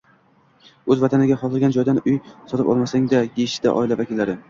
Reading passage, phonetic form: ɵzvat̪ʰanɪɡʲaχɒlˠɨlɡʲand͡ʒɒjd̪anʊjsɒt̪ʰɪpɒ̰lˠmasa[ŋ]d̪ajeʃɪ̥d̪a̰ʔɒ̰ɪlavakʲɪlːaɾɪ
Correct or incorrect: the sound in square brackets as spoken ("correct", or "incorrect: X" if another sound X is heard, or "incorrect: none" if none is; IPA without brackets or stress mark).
correct